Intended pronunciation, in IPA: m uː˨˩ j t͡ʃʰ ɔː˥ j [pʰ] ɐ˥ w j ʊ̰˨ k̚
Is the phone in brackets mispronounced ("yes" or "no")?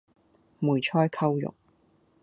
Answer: yes